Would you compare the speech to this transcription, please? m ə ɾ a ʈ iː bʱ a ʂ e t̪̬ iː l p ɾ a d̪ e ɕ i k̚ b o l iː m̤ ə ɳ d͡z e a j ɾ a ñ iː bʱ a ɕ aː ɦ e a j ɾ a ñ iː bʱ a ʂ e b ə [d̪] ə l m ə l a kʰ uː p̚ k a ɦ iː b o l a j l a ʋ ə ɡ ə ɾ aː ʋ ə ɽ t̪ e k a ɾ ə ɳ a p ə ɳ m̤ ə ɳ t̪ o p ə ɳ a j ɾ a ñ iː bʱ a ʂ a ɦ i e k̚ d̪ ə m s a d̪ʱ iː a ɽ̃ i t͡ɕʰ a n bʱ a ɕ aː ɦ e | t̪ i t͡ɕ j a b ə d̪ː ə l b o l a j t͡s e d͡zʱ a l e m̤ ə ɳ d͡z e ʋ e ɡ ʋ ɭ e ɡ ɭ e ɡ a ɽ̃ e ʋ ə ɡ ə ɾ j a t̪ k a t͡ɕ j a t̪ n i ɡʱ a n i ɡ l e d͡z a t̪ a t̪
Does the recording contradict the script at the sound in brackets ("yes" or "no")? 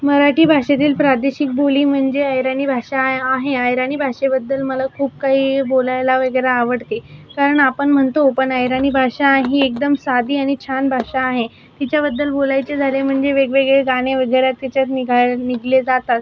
yes